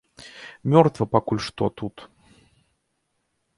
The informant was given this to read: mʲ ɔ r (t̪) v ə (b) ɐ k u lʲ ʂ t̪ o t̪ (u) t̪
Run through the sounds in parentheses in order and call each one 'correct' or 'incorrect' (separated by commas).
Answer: correct, incorrect, correct